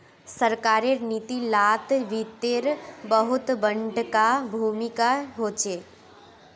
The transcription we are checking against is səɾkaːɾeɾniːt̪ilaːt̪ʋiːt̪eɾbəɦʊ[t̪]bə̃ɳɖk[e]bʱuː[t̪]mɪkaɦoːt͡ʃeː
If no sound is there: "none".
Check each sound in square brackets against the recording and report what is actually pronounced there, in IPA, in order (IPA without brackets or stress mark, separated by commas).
t̪, a, none